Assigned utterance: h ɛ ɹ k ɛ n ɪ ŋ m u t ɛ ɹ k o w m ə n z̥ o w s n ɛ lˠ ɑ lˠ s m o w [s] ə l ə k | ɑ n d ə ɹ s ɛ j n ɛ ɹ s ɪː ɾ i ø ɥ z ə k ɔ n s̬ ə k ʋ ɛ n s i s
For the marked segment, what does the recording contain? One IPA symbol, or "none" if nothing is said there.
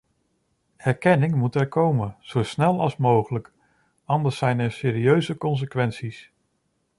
χ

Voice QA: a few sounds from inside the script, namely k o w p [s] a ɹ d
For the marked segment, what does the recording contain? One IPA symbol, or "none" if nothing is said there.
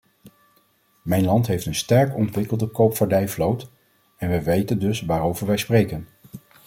f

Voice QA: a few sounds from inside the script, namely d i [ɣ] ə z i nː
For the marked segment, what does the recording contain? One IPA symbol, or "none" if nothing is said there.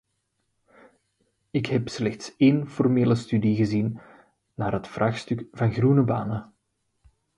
ɣ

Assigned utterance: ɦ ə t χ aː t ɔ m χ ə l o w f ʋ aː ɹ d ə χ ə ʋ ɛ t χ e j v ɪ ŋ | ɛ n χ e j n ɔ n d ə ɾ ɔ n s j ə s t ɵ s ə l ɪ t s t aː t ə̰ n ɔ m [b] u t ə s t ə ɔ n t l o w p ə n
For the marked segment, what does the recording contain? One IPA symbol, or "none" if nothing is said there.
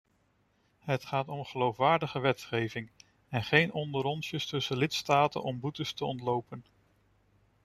b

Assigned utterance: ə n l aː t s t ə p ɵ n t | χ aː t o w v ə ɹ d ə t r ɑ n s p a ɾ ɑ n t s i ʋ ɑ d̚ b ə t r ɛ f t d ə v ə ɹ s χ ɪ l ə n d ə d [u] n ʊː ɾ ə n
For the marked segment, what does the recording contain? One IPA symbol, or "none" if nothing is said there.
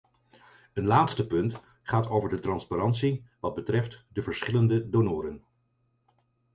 o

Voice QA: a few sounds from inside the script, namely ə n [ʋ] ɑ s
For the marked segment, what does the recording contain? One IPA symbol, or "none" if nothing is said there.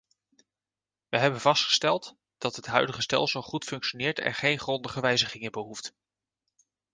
v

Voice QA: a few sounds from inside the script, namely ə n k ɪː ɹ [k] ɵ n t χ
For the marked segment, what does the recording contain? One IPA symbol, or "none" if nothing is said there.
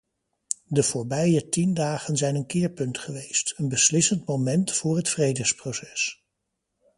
p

